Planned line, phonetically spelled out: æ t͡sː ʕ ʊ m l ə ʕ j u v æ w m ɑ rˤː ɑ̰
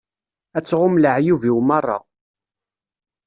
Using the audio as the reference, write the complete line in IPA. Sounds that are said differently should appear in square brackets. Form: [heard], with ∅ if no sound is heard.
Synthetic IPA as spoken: æ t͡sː [ʁ] ʊ m l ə ʕ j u v [i] w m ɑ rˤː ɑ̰